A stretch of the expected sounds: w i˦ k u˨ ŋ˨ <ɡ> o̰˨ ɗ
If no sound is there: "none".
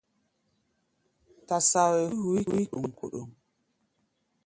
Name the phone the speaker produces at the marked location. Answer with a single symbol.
k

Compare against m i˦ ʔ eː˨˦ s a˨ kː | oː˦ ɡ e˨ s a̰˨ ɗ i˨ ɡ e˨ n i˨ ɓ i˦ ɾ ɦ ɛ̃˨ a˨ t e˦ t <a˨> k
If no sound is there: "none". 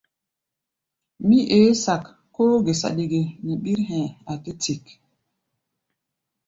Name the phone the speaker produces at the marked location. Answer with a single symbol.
i˨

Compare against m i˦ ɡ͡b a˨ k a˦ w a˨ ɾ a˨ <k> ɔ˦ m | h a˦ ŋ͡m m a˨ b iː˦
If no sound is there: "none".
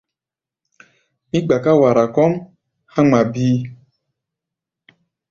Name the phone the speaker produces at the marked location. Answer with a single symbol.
k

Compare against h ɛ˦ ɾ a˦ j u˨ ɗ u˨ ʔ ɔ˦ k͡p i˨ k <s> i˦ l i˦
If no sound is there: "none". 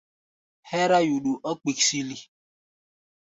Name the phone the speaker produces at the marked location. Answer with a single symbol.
s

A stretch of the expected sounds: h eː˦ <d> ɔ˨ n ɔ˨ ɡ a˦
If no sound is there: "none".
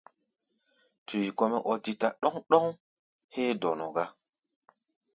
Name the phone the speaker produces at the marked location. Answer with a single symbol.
d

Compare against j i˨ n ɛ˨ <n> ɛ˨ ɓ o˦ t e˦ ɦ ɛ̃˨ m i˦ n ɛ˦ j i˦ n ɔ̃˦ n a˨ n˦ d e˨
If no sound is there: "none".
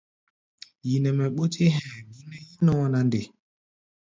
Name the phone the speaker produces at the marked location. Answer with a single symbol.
m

